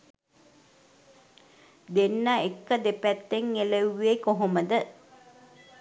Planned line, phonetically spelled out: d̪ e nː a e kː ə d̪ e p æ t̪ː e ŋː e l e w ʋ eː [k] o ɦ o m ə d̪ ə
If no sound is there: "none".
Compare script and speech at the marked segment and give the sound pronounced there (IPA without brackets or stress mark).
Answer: k